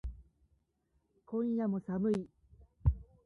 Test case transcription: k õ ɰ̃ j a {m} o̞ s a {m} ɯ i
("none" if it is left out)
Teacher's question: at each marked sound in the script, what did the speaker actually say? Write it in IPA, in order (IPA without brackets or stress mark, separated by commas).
m, m